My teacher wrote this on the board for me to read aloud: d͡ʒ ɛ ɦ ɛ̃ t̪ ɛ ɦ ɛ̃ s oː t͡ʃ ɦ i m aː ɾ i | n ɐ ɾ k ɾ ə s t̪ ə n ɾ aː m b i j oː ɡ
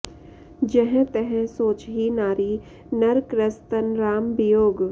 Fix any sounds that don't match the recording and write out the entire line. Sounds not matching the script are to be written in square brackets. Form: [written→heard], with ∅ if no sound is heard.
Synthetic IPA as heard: d͡ʒ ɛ ɦ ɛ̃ t̪ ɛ ɦ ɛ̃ s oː t͡ʃ ɦ i [m→n] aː ɾ i | n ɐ ɾ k ɾ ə s t̪ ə n ɾ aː m b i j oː ɡ